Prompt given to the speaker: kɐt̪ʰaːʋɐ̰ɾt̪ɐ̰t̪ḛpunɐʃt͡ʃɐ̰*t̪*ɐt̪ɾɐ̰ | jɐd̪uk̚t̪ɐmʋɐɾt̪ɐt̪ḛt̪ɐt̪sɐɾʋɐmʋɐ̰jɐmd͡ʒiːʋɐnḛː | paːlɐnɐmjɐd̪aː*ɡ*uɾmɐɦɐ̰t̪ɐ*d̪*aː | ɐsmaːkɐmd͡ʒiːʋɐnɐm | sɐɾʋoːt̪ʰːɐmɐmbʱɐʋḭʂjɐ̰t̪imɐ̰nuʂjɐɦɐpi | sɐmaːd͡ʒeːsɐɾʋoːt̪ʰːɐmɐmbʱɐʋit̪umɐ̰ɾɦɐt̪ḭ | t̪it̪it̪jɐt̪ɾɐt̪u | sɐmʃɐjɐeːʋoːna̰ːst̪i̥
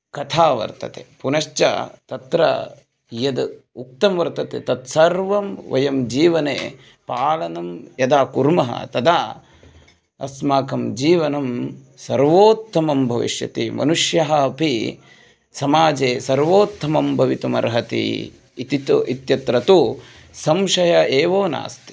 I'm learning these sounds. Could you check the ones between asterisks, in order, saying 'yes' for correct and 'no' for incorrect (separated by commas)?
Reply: yes, no, yes